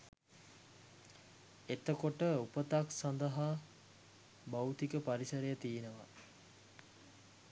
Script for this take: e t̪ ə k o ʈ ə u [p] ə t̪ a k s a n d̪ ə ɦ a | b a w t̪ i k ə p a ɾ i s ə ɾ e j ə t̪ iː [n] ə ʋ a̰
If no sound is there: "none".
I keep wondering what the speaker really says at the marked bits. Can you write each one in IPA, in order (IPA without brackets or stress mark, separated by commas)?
p, n